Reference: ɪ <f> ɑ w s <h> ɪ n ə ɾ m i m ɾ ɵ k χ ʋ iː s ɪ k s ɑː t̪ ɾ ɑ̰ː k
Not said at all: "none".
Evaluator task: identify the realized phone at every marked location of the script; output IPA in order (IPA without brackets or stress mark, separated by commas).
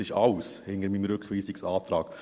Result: ʃ, h